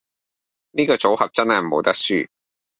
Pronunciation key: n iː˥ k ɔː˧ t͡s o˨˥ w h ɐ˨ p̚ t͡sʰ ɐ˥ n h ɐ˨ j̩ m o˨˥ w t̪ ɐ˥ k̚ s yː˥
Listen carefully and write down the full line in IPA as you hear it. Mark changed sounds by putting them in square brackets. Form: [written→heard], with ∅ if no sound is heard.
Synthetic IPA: n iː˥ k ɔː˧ t͡s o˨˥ w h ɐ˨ p̚ [t͡sʰ→t͡s] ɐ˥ n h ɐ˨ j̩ m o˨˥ w t̪ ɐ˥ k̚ s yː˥